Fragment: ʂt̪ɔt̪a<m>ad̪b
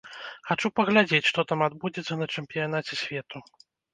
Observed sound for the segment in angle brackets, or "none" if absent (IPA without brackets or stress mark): m